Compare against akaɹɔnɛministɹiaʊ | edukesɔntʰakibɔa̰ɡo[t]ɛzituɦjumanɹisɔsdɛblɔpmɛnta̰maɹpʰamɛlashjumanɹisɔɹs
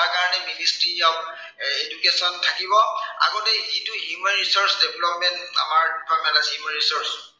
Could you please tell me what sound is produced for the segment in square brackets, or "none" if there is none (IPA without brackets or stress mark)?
t